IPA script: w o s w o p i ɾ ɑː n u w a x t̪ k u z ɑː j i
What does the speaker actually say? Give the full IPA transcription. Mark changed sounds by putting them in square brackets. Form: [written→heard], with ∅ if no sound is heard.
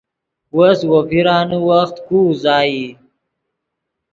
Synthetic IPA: w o s w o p i ɾ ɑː n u w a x t̪ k u z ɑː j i